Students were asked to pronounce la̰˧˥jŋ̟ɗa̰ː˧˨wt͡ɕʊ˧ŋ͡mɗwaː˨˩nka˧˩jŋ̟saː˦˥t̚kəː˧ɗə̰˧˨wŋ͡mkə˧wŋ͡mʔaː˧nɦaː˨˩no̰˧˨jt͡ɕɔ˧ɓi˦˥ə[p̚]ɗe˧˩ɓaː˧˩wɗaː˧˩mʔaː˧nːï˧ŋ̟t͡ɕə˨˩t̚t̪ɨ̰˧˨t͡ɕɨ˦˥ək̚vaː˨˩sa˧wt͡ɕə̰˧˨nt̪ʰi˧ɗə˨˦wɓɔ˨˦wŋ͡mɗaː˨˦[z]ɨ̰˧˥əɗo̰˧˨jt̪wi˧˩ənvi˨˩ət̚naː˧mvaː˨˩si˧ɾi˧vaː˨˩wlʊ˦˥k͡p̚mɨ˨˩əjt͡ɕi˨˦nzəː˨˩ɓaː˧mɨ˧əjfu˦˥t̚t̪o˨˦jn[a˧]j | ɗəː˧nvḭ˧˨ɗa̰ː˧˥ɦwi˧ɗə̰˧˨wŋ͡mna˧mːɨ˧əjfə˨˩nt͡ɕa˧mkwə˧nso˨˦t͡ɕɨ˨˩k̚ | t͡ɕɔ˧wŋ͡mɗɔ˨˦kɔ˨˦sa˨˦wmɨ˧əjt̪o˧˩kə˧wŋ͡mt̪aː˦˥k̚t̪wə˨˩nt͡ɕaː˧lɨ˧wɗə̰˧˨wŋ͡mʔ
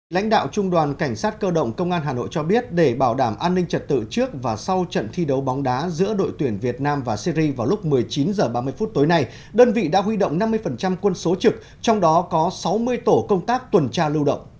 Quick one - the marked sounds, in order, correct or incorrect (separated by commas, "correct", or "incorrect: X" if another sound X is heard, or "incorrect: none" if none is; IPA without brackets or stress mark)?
incorrect: t̚, correct, correct